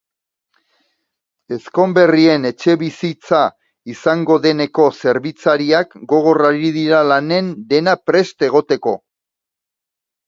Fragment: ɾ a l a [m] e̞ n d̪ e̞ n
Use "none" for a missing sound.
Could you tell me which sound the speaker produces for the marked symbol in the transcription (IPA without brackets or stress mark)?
n